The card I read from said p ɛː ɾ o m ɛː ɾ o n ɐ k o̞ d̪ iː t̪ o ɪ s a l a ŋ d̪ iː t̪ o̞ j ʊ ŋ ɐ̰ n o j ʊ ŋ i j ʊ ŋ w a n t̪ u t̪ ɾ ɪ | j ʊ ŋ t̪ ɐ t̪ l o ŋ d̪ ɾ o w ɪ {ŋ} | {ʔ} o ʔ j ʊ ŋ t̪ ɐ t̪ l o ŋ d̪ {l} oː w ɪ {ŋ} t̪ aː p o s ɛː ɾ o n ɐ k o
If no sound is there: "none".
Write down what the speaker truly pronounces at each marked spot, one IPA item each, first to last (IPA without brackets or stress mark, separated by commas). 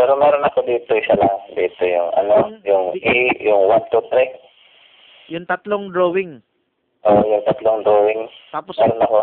ŋ, ʔ, ɾ, ŋ